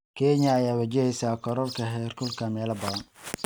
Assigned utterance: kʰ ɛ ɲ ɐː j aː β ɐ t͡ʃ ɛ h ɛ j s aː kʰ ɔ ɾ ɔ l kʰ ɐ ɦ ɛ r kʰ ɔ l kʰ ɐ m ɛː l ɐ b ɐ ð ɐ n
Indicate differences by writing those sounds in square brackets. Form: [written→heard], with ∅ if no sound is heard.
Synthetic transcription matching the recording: kʰ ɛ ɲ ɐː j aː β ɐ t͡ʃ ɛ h ɛ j s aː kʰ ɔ ɾ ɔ l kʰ ɐ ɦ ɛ r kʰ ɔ l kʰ ɐ m ɛː l ɐ b ɐ ð ɐ n